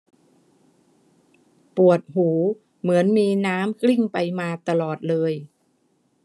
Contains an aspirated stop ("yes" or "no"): no